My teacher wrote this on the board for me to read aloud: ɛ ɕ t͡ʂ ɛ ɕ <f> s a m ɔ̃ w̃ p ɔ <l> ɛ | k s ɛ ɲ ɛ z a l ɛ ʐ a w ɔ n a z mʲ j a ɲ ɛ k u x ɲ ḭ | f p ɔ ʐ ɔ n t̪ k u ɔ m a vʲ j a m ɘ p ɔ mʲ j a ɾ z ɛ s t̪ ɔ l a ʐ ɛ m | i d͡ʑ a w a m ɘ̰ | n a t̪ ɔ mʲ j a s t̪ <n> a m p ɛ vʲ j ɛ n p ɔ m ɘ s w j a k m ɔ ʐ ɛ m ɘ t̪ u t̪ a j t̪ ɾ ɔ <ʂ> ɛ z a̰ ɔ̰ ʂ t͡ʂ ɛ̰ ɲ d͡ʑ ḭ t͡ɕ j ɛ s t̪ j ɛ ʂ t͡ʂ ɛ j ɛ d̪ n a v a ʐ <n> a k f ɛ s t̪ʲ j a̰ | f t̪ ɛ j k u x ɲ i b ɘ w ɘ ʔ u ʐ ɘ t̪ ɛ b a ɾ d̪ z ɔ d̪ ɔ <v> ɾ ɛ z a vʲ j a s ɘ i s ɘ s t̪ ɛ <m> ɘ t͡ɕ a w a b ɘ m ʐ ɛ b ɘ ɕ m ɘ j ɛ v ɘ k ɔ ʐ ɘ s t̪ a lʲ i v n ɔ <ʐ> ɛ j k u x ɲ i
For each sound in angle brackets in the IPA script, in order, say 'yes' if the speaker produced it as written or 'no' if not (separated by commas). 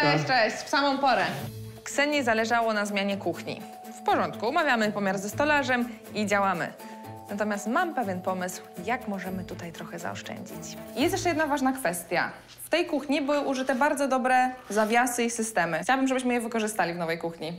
yes, no, no, no, yes, no, yes, no